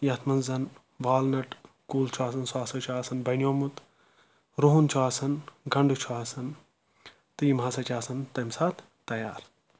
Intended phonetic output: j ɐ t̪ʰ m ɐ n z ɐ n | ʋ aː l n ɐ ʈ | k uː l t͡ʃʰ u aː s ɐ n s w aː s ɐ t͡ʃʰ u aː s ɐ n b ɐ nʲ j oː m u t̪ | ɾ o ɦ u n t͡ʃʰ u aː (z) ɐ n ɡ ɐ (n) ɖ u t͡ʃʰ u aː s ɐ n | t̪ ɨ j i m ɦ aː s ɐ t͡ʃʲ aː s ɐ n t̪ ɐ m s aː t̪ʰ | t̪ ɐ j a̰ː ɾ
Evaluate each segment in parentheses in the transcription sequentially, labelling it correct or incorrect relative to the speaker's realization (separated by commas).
incorrect, incorrect